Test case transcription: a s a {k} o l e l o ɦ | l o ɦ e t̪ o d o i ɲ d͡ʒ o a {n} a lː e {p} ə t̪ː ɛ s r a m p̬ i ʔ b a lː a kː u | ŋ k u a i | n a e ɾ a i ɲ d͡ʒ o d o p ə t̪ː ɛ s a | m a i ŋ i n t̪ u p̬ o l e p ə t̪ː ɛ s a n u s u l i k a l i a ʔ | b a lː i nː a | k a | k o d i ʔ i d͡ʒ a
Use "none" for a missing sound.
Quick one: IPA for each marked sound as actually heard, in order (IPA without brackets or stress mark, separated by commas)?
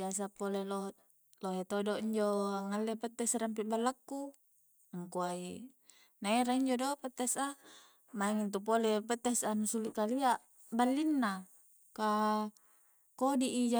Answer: p, ŋ, p